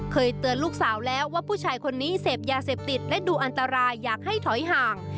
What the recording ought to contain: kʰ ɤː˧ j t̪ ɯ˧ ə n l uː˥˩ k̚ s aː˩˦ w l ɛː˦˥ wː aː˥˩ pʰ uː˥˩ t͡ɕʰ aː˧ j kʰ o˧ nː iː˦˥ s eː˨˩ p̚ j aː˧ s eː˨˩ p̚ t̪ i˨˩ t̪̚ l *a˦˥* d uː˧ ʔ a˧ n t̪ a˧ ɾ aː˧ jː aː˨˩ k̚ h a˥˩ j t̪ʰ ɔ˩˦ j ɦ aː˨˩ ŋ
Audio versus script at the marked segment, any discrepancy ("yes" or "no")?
yes